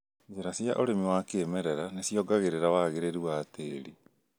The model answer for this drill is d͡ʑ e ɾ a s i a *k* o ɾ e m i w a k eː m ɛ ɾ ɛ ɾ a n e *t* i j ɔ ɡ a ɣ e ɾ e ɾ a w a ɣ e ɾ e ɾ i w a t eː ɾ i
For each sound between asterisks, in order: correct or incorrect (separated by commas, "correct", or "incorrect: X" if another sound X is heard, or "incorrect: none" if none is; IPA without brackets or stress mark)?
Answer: incorrect: ʔ, incorrect: s